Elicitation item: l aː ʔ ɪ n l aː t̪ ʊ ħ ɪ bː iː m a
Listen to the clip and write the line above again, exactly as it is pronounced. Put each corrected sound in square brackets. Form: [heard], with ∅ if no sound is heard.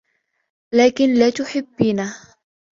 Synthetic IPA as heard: l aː [k] ɪ n l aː t̪ ʊ ħ ɪ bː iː [n] a